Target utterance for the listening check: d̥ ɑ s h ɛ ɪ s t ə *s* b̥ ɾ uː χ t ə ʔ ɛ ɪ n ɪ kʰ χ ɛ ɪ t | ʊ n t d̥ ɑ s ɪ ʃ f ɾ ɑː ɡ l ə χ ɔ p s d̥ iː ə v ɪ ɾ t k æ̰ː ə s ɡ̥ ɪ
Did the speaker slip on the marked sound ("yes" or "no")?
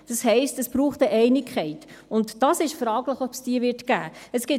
no